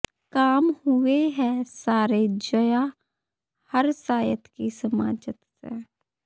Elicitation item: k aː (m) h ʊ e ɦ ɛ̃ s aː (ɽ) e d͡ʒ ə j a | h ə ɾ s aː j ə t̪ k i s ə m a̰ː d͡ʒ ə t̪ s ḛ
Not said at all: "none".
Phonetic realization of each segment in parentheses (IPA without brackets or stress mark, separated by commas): m, ɾ